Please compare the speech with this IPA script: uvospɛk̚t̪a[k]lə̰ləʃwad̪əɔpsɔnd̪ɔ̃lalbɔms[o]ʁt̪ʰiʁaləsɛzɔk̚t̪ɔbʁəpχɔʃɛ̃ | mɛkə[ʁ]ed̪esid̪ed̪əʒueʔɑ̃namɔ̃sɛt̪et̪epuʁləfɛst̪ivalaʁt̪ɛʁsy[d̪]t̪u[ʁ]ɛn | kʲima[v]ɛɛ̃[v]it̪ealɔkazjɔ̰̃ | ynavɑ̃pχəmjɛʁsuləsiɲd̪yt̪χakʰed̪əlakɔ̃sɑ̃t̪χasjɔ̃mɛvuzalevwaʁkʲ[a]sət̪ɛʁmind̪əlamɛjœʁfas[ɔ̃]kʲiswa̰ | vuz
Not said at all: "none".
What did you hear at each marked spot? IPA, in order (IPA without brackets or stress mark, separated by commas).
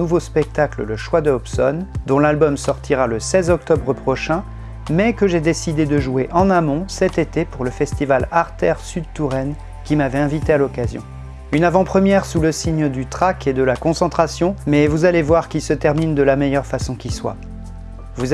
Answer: k, ɔ, ʒ, d̪, ʁ, v, v, i, ɔ̃